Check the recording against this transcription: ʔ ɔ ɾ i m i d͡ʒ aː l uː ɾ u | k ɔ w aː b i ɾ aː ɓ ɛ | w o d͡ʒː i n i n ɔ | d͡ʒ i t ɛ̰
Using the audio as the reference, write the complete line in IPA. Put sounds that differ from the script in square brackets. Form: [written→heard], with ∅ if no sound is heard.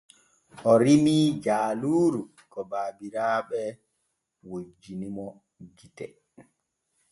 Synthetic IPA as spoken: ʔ ɔ ɾ i m i d͡ʒ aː l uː ɾ u | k ɔ [w→b] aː b i ɾ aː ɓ ɛ | w o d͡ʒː i n i [n→m] ɔ | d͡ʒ i t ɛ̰